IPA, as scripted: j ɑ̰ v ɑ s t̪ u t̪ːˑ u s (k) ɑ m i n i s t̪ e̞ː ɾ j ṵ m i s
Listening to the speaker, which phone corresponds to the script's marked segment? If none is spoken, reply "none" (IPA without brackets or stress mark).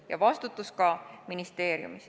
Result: k